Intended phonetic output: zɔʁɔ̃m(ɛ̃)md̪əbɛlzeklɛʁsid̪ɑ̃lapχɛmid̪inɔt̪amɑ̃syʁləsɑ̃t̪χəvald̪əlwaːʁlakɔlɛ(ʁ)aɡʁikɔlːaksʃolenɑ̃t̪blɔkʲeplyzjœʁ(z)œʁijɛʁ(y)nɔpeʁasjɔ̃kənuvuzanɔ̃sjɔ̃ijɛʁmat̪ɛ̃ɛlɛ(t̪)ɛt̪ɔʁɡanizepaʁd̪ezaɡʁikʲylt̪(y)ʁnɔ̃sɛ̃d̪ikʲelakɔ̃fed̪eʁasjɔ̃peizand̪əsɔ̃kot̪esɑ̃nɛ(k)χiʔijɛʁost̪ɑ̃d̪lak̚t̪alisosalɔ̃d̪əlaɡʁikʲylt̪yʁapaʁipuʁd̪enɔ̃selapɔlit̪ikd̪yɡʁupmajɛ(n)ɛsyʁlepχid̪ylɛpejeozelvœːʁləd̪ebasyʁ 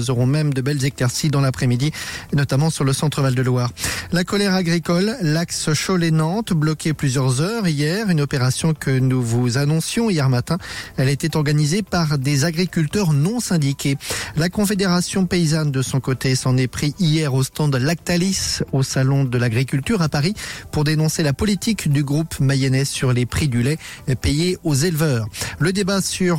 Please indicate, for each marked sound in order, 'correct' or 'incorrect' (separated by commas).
incorrect, correct, correct, correct, correct, incorrect, incorrect, correct